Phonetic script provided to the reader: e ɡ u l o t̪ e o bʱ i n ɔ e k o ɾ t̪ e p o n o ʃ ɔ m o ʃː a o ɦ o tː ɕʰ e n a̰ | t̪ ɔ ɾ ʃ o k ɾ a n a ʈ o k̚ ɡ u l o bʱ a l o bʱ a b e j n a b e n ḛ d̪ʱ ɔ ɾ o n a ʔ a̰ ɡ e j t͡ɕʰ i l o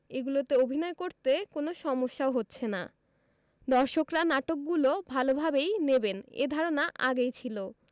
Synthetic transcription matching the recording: e ɡ u l o t̪ e o bʱ i n ɔ e k o ɾ t̪ e k o n o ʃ ɔ m o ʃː a o ɦ o tː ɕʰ e n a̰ | d̪ ɔ ɾ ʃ o k ɾ a n a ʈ o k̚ ɡ u l o bʱ a l o bʱ a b e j n e b e n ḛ d̪ʱ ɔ ɾ o n a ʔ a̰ ɡ e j t͡ɕʰ i l o